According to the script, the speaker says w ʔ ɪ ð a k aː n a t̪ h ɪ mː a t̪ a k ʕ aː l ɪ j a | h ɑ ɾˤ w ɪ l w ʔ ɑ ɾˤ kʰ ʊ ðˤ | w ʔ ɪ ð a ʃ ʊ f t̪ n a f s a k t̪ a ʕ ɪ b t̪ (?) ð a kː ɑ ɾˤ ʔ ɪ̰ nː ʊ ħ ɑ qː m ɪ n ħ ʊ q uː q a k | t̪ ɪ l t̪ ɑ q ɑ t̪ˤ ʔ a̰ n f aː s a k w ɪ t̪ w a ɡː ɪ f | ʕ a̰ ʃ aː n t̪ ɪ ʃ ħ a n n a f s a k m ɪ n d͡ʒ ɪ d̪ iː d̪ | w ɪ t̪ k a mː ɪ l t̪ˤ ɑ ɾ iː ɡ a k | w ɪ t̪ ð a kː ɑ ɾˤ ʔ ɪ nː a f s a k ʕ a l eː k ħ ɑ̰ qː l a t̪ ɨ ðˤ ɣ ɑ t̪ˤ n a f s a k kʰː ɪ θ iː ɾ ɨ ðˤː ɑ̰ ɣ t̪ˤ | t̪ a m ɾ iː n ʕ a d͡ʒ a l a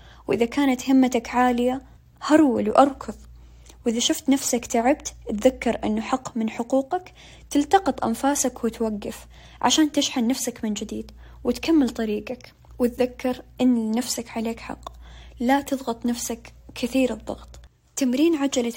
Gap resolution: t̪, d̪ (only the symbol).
t̪